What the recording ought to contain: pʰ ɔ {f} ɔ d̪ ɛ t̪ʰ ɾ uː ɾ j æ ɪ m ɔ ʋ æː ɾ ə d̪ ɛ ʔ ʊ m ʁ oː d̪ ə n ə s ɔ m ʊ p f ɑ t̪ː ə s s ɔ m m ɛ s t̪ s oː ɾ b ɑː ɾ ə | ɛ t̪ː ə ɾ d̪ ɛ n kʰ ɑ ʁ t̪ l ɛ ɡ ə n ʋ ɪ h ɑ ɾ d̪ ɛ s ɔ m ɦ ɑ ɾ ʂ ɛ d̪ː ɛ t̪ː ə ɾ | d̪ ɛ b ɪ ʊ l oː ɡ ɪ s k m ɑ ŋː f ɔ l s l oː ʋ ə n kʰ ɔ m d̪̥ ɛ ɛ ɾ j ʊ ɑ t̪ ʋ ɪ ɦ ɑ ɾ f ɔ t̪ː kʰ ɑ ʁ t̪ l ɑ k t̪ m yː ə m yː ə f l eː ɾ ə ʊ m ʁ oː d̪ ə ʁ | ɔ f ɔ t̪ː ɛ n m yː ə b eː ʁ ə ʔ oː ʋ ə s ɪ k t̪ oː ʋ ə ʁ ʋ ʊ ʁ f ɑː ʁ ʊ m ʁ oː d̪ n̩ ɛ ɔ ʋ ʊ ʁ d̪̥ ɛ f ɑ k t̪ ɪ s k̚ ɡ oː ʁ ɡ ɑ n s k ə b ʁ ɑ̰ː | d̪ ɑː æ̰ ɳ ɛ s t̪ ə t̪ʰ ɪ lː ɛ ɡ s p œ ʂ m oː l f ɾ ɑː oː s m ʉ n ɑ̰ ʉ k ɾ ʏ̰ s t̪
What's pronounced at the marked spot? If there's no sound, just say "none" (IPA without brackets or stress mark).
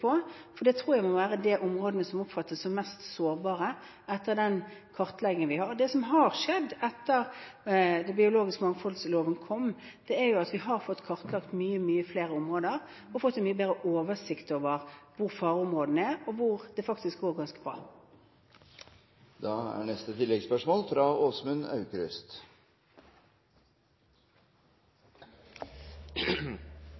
f